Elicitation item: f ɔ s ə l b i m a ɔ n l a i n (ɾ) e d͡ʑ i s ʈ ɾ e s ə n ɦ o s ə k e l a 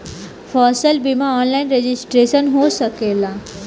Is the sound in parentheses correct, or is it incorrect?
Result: correct